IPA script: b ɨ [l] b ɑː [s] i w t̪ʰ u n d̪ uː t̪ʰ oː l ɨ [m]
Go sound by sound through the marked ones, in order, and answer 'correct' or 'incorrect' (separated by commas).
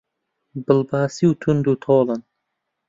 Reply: correct, correct, incorrect